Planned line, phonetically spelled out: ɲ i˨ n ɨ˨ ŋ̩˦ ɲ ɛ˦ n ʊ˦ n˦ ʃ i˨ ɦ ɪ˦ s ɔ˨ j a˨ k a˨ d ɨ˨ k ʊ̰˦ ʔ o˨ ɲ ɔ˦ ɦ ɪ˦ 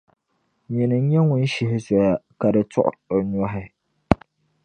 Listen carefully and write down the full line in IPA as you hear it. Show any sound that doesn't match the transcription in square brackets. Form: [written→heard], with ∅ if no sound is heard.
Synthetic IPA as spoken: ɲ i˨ n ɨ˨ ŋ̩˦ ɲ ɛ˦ [n→ŋ] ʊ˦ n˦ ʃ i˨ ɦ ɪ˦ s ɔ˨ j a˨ k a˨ d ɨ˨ [k→t] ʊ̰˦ ʔ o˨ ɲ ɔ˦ ɦ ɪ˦